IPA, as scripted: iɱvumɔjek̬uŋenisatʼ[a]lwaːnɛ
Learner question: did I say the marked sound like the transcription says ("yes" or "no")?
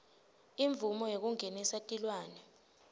no